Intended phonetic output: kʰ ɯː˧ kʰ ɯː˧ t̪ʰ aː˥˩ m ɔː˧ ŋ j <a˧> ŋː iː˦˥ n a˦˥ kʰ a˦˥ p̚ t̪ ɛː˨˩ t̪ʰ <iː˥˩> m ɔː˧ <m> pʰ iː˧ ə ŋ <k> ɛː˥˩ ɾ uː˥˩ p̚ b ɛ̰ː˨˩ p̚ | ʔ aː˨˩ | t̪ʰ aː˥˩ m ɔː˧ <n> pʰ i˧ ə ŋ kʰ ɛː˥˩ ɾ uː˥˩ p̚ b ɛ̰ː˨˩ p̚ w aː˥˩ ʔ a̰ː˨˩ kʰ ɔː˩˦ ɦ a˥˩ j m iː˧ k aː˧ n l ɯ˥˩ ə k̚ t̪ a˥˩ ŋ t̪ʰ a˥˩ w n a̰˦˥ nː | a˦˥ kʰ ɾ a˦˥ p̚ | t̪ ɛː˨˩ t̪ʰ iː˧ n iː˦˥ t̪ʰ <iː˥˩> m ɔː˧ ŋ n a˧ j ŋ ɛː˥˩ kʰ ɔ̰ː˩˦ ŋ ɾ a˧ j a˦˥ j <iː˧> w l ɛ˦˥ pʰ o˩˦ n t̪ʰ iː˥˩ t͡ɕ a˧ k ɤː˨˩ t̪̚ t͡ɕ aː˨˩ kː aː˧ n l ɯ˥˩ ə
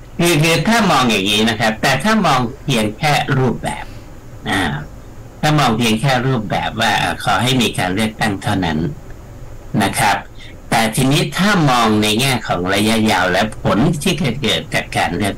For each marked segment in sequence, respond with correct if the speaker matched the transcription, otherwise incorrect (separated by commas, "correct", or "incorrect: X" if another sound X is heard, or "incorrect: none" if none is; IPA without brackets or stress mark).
incorrect: a˨˩, incorrect: aː˥˩, incorrect: ŋ, incorrect: kʰ, incorrect: ŋ, incorrect: aː˥˩, incorrect: aː˧